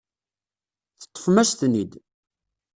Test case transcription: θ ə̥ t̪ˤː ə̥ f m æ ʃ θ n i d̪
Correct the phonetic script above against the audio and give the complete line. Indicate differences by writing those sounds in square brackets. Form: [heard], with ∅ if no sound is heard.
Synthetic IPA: θ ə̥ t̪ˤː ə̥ f m æ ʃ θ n i d̪